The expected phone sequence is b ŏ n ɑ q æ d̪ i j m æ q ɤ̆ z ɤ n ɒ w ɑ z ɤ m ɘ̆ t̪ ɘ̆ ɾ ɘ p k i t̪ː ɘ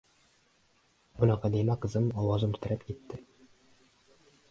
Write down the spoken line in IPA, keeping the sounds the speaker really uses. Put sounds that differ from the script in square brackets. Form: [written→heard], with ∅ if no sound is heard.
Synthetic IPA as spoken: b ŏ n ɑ q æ d̪ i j m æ q ɤ̆ z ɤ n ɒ w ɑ z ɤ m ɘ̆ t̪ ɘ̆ ɾ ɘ p k i t̪ː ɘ

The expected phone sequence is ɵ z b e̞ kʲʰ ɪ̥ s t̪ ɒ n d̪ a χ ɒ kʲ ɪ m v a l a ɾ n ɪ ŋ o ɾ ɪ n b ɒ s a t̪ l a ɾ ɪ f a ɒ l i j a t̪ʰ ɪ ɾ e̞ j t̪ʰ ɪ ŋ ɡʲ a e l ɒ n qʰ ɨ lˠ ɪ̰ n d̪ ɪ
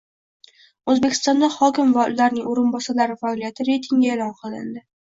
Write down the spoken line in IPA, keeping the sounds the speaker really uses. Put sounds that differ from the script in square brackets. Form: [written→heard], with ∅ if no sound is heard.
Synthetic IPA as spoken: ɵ z b e̞ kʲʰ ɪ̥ s t̪ ɒ n d̪ a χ ɒ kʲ ɪ m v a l a ɾ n ɪ ŋ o ɾ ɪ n b ɒ s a [t̪→∅] l a ɾ ɪ f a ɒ l i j a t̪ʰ ɪ ɾ e̞ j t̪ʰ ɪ ŋ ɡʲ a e l ɒ n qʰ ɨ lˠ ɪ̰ n d̪ ɪ

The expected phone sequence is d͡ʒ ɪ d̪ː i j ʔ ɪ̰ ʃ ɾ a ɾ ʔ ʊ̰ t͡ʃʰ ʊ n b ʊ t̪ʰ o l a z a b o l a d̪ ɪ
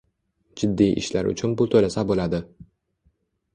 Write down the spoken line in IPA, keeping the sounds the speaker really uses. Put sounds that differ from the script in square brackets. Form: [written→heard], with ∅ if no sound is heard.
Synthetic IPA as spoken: d͡ʒ ɪ d̪ː i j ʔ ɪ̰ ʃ [ɾ→l] a ɾ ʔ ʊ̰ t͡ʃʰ ʊ n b ʊ t̪ʰ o l a [z→s] a b o l a d̪ ɪ

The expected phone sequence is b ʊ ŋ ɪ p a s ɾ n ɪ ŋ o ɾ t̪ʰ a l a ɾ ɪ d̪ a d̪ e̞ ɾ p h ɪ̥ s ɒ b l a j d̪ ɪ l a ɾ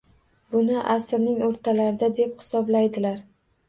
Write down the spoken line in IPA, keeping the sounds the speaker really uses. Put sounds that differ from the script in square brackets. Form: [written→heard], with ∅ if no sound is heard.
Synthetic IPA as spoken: b ʊ [ŋ→n] ɪ [p→ʔ] a s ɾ n ɪ ŋ o ɾ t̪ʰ a l a ɾ ɪ d̪ a d̪ e̞ [ɾ→∅] p h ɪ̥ s ɒ b l a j d̪ ɪ l a ɾ

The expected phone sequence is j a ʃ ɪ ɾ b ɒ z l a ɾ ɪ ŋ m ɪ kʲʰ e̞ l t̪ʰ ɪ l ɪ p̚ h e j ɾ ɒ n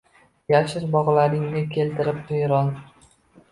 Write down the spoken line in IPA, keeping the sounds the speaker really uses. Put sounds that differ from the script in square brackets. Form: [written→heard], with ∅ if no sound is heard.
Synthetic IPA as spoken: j a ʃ ɪ ɾ b ɒ [z→ʁ] l a ɾ ɪ ŋ [m→n] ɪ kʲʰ e̞ l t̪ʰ ɪ [l→ɾ] ɪ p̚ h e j ɾ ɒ n

